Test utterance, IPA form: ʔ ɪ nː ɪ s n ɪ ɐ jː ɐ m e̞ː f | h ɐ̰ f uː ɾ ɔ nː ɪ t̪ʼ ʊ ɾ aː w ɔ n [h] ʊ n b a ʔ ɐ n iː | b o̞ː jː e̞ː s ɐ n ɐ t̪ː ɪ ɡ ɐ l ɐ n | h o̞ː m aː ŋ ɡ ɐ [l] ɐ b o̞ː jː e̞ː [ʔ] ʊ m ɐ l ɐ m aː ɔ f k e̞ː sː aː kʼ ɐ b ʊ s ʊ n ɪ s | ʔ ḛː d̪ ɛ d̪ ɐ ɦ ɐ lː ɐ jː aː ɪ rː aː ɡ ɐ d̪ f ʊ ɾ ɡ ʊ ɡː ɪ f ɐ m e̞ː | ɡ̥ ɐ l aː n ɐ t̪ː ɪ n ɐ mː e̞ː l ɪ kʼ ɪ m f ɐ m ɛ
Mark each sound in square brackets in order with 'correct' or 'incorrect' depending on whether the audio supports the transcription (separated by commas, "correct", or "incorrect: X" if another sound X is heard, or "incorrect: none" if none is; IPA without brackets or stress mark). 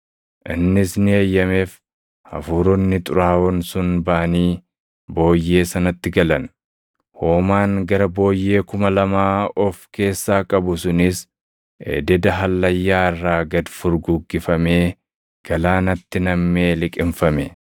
incorrect: s, incorrect: ɾ, incorrect: k